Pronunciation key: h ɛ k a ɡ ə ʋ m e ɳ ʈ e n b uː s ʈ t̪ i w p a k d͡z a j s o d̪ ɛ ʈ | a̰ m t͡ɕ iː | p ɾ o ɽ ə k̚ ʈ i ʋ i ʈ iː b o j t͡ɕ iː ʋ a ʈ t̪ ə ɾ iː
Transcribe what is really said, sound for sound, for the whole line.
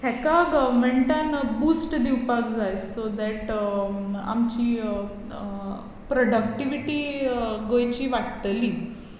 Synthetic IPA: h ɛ k a ɡ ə ʋ m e ɳ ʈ a n b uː s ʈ d̪ i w p a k d͡z a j s o d̪ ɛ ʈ | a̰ m t͡ɕ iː | p ɾ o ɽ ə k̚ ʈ i ʋ i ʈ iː ɡ o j t͡ɕ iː ʋ a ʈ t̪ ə l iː